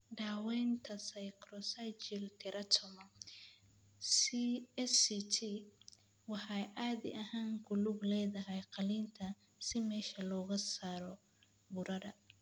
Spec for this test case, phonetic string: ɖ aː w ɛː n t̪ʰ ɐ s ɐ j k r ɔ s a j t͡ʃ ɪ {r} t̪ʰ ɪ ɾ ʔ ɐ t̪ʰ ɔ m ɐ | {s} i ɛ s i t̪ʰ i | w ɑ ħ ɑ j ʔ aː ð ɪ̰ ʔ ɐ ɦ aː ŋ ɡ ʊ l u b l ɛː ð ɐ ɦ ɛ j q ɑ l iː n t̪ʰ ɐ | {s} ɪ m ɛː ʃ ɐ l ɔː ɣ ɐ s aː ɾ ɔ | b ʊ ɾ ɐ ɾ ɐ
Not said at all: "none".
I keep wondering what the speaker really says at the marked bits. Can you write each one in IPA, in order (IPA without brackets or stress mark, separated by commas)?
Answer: l, s, s